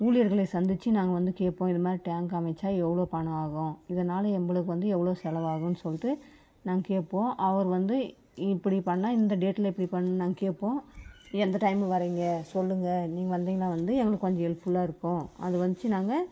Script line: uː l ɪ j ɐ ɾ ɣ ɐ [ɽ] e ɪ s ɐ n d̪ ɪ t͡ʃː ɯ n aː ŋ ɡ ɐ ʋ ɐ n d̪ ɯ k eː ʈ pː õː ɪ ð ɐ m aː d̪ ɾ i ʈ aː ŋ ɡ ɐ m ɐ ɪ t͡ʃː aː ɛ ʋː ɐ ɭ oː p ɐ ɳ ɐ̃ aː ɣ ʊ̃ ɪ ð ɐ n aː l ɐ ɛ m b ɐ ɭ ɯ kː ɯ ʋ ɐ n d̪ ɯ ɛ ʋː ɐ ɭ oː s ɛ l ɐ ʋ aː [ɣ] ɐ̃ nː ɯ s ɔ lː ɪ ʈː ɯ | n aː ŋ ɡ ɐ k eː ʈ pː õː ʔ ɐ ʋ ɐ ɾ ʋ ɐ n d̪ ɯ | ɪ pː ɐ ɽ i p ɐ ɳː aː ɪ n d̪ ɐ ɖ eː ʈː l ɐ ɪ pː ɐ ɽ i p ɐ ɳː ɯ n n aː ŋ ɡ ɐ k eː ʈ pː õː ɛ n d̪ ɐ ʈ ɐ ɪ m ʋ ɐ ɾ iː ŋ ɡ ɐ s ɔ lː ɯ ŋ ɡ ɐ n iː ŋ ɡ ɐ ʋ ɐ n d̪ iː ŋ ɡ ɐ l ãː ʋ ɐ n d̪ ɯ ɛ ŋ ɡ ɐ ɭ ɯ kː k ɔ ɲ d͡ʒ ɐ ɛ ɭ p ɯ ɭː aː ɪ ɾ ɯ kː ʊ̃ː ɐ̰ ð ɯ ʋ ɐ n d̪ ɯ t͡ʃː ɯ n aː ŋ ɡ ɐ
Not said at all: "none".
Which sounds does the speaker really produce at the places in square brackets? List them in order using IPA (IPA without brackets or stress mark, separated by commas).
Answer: ɭ, ɣ